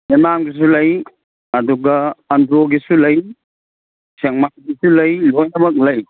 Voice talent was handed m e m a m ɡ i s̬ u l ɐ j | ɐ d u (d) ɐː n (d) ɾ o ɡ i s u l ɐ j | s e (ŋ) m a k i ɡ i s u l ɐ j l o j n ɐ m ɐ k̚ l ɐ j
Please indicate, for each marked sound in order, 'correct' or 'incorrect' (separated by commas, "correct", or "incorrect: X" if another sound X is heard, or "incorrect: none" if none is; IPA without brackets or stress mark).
incorrect: ɡ, correct, correct